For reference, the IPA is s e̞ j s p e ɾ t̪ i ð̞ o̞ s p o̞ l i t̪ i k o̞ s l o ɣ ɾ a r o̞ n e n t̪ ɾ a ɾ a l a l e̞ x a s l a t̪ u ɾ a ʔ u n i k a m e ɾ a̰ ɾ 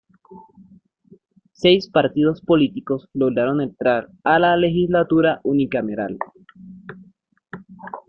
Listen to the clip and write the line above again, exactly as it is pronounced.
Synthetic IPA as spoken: s e̞ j s p a ɾ t̪ i ð̞ o̞ s p o̞ l i t̪ i k o̞ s l o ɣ ɾ a ɾ o̞ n e n t̪ ɾ a ɾ a l a l e̞ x i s l a t̪ u ɾ a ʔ u n i k a m e ɾ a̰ l